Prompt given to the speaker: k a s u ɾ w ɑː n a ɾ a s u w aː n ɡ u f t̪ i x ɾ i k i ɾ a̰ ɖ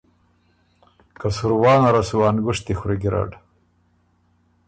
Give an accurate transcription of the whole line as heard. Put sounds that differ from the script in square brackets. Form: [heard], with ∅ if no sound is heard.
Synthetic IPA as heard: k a s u ɾ w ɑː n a ɾ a s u w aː n ɡ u [ʂ] t̪ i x ɾ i [ɡ] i ɾ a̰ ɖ